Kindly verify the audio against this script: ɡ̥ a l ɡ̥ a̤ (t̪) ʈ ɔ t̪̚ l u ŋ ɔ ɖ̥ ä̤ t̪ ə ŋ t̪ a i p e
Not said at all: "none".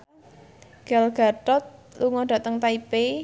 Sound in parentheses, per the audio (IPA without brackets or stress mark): none